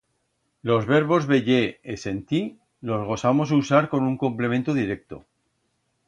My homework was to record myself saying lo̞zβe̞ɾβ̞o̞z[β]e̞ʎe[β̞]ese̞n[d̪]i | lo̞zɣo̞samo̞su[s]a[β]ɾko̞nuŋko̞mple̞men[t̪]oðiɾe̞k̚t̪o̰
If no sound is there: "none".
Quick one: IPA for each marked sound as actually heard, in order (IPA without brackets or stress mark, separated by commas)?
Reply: β, none, t̪, s, none, t̪